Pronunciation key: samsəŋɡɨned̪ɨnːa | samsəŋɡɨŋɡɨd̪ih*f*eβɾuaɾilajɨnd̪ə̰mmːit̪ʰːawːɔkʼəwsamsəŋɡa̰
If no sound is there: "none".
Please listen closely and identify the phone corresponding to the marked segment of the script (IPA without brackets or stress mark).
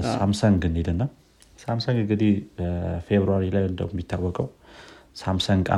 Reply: f